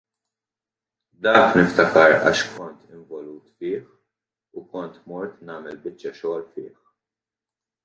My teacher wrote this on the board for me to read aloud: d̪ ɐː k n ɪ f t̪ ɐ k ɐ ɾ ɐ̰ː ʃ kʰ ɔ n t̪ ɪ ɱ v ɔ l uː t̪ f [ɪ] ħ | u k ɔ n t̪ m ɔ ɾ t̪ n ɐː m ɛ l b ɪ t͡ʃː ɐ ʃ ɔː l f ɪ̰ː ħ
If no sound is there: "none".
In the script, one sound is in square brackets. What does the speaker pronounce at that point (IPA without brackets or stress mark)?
ɪː